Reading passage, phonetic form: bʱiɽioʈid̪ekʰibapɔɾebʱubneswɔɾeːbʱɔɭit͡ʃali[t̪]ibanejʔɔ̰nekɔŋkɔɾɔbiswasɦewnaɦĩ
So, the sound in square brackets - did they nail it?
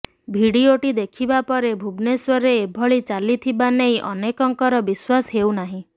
no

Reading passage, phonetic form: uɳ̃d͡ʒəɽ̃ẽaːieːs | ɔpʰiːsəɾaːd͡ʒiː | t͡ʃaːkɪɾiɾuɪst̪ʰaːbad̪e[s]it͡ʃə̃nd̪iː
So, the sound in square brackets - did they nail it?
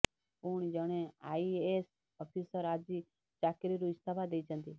no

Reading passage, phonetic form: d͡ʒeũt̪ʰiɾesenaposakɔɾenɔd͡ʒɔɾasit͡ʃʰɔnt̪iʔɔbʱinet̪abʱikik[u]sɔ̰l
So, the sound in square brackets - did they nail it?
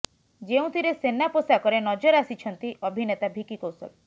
no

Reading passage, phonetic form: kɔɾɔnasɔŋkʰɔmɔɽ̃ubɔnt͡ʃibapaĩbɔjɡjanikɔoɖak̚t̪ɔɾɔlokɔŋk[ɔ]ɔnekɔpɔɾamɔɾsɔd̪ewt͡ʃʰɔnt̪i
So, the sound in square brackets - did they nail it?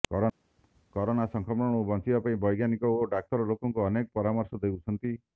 no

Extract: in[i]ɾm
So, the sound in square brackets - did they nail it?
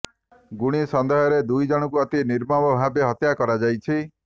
yes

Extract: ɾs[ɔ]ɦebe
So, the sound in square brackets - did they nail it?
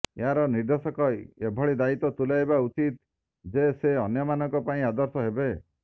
yes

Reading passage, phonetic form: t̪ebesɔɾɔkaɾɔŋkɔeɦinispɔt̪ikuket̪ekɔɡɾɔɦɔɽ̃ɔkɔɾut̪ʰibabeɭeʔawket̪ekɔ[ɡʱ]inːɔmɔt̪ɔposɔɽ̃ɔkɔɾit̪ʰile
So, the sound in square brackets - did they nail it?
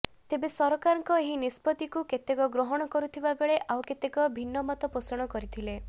no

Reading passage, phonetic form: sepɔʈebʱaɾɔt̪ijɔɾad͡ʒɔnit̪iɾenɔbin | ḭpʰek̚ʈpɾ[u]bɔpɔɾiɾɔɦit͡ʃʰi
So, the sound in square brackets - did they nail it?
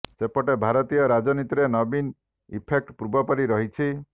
yes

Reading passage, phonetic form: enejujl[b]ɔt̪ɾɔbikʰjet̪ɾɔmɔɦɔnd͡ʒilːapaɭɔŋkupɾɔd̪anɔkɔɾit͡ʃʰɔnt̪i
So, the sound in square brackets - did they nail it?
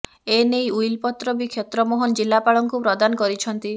no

